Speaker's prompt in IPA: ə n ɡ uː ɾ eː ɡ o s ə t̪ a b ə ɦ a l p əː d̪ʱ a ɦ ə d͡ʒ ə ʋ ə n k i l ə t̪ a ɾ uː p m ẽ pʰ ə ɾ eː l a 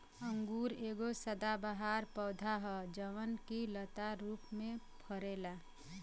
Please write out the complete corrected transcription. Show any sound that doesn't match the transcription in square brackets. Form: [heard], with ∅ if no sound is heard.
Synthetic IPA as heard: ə [ŋ] ɡ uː ɾ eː ɡ o s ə [d̪] a b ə ɦ a [ɾ] p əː d̪ʱ a ɦ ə d͡ʒ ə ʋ ə n k i l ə t̪ a ɾ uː p m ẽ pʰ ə ɾ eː l a